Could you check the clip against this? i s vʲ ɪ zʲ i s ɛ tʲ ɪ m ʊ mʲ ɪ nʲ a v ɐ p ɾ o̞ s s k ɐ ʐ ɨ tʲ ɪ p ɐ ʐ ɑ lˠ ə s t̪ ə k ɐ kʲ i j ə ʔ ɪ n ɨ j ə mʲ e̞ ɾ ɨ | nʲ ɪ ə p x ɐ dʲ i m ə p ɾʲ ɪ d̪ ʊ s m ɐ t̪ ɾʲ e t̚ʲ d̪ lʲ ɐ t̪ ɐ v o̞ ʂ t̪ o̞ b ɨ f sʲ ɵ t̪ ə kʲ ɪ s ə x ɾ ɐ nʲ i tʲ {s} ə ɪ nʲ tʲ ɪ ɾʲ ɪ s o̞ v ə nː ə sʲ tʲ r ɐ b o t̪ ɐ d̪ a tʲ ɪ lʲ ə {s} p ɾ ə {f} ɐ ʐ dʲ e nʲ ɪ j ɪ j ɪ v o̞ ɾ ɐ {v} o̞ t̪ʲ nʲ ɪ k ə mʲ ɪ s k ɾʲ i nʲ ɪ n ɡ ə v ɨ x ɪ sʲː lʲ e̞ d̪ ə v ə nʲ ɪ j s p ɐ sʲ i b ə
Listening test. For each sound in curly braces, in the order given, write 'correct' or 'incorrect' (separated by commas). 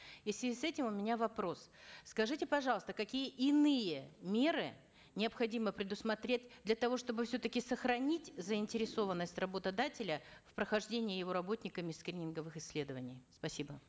incorrect, incorrect, incorrect, incorrect